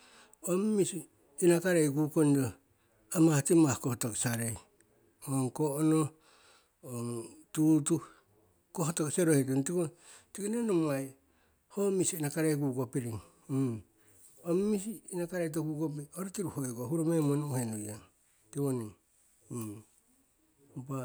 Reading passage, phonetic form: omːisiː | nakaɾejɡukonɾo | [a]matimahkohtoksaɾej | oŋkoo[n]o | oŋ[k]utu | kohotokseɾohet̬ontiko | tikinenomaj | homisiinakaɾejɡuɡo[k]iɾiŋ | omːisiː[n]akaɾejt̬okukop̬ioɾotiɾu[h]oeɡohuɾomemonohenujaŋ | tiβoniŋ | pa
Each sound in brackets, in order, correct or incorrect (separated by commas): correct, correct, incorrect, incorrect, correct, correct